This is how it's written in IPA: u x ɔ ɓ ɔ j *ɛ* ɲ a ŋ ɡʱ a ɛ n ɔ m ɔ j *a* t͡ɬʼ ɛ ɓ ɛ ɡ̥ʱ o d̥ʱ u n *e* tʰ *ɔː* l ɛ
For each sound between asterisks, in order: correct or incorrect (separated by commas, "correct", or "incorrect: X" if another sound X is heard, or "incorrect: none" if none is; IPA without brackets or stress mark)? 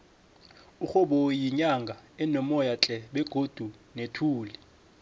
incorrect: i, correct, correct, incorrect: uː